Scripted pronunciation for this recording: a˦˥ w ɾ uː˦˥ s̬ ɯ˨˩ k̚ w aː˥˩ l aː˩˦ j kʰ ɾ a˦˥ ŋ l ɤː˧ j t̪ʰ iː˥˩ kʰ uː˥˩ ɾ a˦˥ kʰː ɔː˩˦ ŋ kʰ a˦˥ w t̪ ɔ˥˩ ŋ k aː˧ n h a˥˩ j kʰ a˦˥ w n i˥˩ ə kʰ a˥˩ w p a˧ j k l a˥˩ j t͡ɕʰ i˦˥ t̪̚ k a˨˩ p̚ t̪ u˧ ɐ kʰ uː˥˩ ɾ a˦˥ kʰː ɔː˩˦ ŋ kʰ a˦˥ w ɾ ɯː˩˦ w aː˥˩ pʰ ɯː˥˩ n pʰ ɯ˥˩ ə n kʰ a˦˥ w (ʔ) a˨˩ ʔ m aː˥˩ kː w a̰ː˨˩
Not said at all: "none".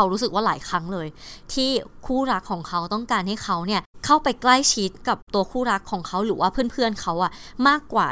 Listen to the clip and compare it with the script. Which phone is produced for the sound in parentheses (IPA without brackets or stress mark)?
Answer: ʔ